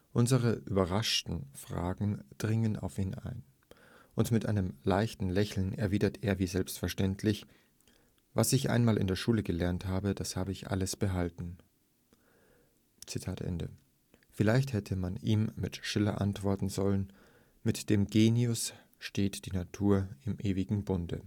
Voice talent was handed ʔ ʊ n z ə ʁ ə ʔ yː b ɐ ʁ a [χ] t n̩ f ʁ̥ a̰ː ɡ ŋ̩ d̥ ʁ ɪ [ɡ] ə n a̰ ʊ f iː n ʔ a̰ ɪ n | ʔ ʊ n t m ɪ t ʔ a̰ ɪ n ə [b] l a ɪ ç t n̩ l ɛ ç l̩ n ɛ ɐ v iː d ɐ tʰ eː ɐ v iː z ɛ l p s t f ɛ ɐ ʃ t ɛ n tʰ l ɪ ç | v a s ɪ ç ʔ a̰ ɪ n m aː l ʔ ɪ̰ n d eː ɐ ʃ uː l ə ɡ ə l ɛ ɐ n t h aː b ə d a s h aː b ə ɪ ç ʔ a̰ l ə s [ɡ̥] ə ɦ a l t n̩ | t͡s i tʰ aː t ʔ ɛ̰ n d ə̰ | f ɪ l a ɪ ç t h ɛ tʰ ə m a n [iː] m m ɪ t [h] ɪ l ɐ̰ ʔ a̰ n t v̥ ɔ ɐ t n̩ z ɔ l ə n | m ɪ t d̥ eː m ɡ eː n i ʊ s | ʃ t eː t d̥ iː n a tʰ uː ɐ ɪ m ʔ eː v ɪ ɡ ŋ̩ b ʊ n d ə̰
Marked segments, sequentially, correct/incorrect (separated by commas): incorrect, incorrect, incorrect, incorrect, correct, incorrect